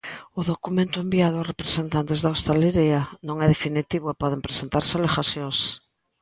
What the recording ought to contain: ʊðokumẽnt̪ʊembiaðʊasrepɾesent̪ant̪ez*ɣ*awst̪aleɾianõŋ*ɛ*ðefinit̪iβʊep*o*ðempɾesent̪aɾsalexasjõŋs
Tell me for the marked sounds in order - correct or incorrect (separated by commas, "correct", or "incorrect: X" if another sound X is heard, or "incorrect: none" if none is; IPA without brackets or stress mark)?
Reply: incorrect: ð, correct, incorrect: ɔ